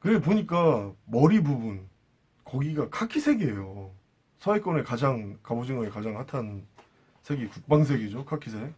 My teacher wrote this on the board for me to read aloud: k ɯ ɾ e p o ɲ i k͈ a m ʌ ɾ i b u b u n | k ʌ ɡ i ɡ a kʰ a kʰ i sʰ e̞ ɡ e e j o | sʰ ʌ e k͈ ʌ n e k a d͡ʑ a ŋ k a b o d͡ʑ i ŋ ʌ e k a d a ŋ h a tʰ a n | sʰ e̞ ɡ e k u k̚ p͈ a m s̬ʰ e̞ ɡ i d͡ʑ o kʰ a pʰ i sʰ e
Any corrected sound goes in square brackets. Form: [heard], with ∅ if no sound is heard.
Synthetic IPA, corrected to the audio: k ɯ ɾ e p o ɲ i k͈ a m ʌ ɾ i b u b u n | k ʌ ɡ i ɡ a kʰ a kʰ i sʰ e̞ ɡ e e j o | sʰ ʌ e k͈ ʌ n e k a d͡ʑ a ŋ k a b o d͡ʑ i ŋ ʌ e k a [d͡ʑ] a ŋ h a tʰ a n | sʰ e̞ ɡ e k u k̚ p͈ a [ŋ] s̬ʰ e̞ ɡ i d͡ʑ o kʰ a [kʰ] i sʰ e